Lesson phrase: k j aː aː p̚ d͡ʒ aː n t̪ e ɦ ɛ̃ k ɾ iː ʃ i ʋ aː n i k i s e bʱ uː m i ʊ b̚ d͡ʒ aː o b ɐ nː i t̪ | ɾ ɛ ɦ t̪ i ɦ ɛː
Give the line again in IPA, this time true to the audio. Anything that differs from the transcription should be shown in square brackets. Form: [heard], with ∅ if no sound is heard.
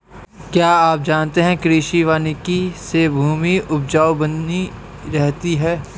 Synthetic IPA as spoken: k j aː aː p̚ d͡ʒ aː n t̪ e ɦ ɛ̃ k ɾ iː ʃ i ʋ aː n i k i s e bʱ uː m i ʊ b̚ d͡ʒ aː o b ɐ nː i [∅] | ɾ ɛ ɦ t̪ i ɦ ɛː